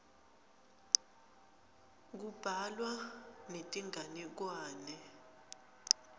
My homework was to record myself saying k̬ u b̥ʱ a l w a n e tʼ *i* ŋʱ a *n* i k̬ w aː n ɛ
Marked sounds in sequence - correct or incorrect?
correct, correct

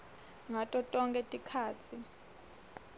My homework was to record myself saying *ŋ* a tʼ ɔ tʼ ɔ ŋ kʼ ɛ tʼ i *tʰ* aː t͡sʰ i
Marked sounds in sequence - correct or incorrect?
correct, incorrect

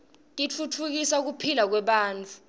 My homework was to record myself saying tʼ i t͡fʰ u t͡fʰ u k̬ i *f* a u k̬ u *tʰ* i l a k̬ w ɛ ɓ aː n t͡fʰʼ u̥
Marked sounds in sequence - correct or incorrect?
incorrect, incorrect

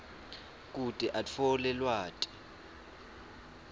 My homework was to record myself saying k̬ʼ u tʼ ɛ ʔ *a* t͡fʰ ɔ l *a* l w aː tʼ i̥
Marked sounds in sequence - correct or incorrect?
correct, incorrect

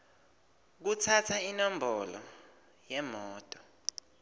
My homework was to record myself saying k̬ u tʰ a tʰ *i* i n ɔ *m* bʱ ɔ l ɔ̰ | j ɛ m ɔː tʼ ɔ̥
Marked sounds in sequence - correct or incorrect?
incorrect, correct

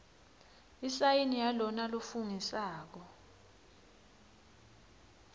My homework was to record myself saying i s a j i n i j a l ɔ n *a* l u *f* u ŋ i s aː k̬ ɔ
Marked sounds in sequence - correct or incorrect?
correct, correct

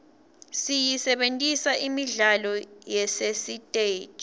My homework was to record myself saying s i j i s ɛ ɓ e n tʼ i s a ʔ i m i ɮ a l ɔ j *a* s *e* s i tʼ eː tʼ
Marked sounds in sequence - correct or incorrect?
incorrect, correct

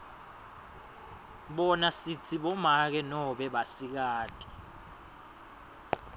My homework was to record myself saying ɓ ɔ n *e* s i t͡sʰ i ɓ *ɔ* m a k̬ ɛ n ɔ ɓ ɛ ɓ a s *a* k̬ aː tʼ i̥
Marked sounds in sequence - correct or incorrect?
incorrect, correct, incorrect

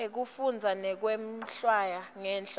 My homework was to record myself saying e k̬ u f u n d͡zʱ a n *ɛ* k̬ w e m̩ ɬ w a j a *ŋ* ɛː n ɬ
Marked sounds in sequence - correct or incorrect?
correct, correct

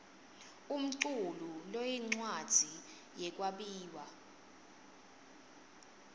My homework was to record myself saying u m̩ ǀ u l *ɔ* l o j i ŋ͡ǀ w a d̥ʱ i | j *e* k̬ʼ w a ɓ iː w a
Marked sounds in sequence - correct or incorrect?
incorrect, incorrect

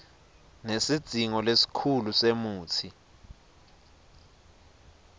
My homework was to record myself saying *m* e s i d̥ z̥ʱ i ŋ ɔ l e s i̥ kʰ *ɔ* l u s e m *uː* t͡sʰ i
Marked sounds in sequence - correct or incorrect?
incorrect, incorrect, correct

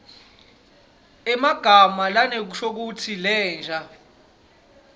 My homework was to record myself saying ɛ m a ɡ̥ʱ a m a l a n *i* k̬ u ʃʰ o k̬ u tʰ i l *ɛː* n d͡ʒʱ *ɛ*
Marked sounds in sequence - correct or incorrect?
incorrect, correct, incorrect

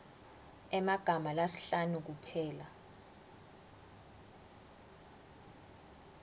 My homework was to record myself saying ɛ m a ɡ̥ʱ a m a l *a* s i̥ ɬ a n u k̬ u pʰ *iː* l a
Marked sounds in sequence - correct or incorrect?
correct, incorrect

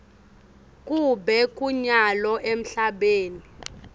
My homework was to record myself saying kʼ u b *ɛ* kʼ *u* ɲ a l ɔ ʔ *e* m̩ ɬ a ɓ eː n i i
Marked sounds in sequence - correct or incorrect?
correct, correct, correct

